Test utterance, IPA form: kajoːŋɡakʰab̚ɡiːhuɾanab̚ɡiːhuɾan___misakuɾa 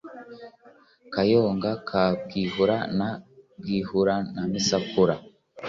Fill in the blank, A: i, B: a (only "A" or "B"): B